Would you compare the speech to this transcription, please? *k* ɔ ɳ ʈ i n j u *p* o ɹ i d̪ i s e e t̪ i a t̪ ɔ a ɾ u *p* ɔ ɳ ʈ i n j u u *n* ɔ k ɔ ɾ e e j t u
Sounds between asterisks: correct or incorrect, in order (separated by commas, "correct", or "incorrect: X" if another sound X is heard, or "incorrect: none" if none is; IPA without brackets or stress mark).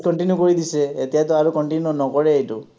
correct, incorrect: k, incorrect: k, correct